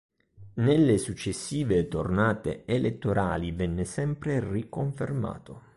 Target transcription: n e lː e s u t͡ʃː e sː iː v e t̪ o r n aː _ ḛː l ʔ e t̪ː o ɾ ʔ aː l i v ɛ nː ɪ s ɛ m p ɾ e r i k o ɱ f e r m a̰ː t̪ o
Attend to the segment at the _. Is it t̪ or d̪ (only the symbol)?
t̪